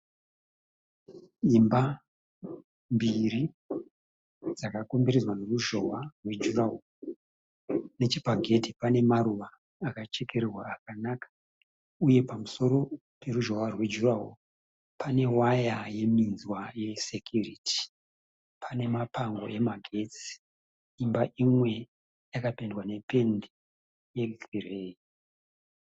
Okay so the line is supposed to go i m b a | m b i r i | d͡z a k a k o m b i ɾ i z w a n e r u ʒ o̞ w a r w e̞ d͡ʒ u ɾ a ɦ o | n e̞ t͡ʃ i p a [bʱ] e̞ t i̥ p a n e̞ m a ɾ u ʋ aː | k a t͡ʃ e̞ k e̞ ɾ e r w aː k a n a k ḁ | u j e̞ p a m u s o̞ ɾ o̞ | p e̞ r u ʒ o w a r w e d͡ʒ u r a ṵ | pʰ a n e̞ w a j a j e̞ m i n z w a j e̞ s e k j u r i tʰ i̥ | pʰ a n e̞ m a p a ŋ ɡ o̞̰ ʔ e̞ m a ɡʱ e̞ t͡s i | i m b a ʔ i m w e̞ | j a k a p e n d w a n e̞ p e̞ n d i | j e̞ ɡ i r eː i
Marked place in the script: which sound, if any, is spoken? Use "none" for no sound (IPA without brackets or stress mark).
ɡʱ